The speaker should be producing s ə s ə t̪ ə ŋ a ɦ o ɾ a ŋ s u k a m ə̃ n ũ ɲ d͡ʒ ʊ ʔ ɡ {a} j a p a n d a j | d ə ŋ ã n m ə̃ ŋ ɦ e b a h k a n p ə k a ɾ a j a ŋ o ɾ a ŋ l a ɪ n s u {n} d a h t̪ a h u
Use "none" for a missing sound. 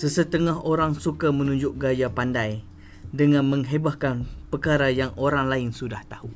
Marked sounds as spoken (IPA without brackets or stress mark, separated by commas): a, none